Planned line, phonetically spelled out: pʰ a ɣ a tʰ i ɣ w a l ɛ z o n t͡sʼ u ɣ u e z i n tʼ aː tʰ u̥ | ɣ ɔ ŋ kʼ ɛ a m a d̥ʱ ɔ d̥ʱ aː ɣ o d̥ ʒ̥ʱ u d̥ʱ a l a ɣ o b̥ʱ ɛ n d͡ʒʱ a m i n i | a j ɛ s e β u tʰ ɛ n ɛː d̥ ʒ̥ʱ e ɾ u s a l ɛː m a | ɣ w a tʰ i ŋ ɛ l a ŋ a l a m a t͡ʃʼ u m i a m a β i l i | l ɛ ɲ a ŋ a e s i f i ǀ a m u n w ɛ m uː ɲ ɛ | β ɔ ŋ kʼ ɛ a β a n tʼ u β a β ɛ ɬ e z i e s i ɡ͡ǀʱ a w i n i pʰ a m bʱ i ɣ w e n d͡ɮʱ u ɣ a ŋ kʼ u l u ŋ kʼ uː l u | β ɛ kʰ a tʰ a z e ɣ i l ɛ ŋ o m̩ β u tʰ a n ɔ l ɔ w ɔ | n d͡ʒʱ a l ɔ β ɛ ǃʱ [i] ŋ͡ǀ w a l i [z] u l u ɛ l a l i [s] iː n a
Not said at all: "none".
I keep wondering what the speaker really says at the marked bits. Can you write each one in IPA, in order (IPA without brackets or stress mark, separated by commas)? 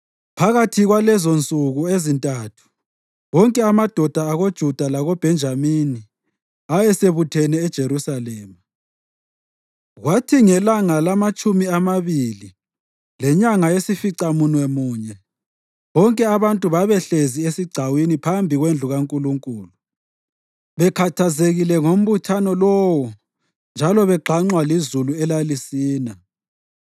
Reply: a, z, s